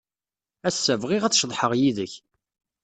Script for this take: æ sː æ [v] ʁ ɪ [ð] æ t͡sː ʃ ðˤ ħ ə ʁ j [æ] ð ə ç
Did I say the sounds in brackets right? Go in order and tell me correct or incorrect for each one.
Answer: correct, incorrect: ʁ, incorrect: i

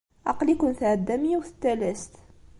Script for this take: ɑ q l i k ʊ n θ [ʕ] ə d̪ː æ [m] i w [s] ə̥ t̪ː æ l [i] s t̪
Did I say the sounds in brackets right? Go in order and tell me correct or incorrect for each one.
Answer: correct, correct, incorrect: θ, incorrect: æ

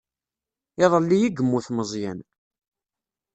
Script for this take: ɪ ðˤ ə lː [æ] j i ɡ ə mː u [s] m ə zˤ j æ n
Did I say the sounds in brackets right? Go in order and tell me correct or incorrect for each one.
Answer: incorrect: i, incorrect: θ

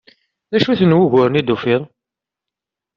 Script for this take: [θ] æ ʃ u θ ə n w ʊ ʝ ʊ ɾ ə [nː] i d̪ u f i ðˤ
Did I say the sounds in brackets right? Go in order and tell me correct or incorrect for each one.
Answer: incorrect: ð, incorrect: n

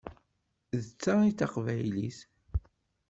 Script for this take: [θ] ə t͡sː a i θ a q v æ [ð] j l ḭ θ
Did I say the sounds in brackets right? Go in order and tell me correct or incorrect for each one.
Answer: incorrect: ð, incorrect: none

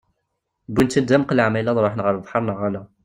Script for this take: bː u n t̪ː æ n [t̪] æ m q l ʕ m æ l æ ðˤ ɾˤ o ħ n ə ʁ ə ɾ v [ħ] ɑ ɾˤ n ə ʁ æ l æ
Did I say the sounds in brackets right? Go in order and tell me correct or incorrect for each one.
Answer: incorrect: d̪, correct

